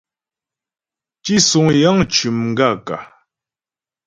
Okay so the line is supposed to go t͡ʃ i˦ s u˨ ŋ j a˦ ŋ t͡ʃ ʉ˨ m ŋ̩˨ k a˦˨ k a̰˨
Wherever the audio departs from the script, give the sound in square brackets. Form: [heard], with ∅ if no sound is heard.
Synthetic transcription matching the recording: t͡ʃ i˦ s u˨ ŋ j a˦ ŋ t͡ʃ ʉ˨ m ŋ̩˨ [ɡ] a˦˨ k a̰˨

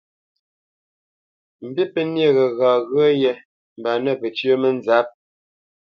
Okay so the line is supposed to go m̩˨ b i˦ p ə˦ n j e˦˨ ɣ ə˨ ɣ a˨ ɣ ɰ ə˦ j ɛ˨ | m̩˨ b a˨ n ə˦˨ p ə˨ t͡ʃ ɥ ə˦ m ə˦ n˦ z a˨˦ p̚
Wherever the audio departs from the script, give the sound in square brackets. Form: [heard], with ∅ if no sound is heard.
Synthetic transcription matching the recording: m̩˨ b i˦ p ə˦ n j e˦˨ ɣ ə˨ ɣ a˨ ɣ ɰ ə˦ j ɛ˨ | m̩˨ b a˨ n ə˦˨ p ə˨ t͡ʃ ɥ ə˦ m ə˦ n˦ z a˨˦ p̚

